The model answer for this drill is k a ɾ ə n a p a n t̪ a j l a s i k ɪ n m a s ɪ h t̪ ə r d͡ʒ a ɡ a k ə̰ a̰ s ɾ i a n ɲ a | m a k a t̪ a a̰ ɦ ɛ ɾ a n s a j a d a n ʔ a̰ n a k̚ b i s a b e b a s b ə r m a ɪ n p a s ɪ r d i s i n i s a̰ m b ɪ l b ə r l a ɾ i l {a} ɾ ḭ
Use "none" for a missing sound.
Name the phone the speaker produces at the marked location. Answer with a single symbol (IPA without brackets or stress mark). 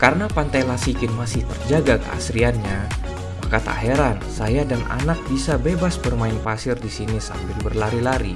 a